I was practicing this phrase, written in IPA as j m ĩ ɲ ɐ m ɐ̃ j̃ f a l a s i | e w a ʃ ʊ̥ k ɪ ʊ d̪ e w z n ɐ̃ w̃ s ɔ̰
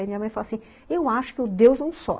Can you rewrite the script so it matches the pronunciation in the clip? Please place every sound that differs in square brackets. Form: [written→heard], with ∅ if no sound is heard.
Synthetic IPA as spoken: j m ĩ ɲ ɐ m ɐ̃ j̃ f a l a s [i→ĩ] | e w a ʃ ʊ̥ k ɪ ʊ d̪ e w z n ɐ̃ w̃ s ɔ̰